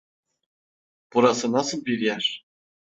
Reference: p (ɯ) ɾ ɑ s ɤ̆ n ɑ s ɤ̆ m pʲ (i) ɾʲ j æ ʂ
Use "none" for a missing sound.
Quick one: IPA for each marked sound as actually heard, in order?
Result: u, i

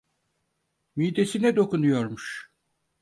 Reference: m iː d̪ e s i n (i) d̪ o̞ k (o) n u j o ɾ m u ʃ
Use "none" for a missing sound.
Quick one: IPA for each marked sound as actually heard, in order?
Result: ɛ, u

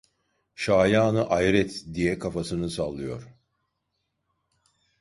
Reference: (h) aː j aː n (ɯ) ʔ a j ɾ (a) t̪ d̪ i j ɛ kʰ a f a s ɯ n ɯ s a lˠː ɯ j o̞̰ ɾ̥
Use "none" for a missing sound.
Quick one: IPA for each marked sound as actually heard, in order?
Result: ʃ, ɯ, ɛ

